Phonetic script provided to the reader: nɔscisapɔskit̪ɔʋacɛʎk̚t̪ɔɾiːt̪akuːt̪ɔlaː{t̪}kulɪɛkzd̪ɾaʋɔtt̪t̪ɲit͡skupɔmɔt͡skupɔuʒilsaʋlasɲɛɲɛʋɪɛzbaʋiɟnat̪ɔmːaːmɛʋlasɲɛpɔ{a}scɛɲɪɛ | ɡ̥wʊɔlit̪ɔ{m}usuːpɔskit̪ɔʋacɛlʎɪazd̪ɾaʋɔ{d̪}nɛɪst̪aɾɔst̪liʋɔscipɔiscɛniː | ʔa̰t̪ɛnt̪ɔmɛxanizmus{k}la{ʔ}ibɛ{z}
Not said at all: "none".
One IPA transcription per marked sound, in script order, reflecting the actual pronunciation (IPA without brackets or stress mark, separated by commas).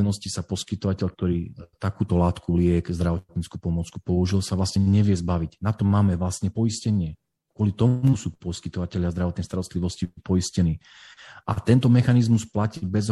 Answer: t̪, i, m, t̪, p, c, z